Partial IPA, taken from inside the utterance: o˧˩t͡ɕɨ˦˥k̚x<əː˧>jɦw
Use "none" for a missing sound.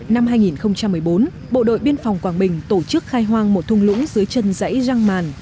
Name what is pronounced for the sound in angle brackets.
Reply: aː˧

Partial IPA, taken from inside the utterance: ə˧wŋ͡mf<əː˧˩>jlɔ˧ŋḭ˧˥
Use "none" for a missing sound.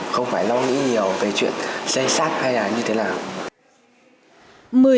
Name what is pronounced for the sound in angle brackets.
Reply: aː˧˩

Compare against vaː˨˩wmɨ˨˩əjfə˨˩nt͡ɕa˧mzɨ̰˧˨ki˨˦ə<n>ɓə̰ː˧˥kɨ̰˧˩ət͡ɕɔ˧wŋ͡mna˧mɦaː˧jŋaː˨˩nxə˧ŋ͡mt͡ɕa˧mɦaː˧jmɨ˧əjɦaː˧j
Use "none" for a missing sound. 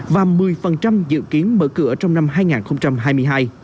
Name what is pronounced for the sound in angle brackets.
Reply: n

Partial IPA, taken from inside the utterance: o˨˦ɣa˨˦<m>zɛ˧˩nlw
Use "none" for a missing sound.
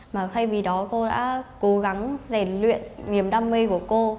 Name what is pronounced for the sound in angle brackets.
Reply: ŋ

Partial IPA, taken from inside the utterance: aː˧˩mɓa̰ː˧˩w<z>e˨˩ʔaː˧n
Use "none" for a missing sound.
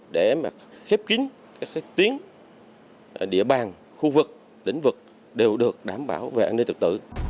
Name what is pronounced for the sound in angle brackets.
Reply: v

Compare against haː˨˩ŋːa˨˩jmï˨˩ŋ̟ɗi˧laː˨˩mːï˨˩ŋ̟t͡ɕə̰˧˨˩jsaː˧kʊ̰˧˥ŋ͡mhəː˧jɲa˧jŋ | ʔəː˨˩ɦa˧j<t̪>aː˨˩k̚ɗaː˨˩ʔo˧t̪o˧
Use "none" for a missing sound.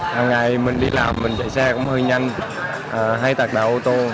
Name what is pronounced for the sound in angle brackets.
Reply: t̪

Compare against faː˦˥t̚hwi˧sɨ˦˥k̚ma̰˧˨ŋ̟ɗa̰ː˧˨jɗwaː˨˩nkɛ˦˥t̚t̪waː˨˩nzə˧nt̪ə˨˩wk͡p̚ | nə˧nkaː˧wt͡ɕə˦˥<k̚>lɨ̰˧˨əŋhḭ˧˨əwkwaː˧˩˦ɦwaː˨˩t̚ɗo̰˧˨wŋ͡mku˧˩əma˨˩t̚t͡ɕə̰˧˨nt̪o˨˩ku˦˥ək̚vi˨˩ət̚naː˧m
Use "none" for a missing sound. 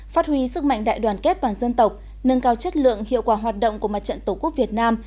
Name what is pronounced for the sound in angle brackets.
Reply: t̚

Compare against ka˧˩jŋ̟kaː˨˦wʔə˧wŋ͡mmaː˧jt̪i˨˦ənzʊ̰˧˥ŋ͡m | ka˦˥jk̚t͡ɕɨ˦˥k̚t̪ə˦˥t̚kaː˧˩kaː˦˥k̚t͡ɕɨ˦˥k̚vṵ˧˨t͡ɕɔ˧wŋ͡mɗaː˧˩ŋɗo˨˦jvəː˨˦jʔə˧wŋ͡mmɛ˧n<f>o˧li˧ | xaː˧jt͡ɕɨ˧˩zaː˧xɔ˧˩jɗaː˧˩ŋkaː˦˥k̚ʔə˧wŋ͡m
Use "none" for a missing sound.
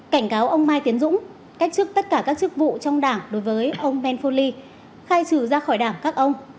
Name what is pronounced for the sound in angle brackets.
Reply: f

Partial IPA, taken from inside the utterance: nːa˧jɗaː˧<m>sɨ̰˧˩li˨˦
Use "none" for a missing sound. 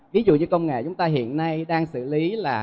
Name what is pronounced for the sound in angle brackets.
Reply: ŋ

